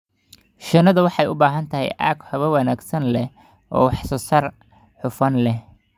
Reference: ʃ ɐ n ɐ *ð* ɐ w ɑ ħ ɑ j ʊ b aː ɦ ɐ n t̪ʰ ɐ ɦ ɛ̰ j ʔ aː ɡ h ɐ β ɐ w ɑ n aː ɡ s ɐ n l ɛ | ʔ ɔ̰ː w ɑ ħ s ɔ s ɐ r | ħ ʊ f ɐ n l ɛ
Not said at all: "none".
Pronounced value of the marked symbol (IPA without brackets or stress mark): ð